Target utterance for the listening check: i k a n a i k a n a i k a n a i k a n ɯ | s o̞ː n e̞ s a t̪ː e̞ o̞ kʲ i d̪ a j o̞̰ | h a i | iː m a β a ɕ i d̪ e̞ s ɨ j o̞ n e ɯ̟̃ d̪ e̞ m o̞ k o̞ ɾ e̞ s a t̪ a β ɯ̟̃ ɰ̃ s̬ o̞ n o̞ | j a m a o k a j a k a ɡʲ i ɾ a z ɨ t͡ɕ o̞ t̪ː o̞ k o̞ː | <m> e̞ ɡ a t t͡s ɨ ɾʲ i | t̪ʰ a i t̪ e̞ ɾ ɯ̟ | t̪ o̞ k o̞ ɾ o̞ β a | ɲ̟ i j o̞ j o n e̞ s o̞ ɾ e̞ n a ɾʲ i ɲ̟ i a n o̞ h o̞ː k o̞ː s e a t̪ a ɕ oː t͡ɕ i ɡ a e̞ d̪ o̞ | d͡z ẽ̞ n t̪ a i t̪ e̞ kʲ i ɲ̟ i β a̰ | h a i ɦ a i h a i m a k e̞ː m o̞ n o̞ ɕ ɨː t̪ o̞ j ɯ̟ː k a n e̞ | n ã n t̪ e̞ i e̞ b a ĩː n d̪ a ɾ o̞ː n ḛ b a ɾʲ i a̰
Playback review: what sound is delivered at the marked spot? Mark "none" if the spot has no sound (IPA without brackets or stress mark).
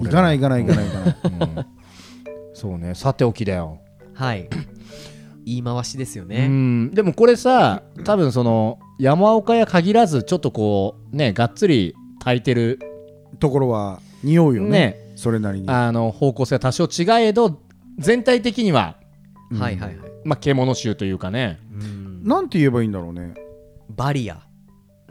n